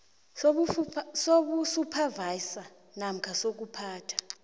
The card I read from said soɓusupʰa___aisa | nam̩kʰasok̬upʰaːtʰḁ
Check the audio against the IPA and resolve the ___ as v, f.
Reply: v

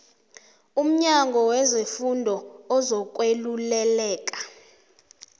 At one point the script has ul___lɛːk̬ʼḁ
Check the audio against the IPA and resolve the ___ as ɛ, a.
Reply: ɛ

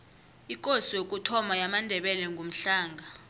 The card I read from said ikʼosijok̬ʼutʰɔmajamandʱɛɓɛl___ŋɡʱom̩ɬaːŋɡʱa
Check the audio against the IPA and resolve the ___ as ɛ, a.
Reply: ɛ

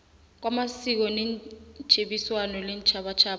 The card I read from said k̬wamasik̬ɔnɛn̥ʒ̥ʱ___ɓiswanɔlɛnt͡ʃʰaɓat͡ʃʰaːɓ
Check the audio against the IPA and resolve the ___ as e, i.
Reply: e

